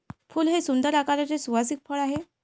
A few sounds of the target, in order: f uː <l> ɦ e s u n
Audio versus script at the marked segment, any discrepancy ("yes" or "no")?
no